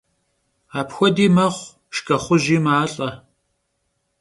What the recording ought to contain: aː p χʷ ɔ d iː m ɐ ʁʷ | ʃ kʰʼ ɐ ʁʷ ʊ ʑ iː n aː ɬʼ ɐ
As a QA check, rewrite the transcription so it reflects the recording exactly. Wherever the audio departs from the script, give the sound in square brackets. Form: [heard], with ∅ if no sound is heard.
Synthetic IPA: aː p [xʷ] ɔ d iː m ɐ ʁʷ | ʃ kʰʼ ɐ [χʷ] ʊ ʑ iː [m] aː ɬʼ ɐ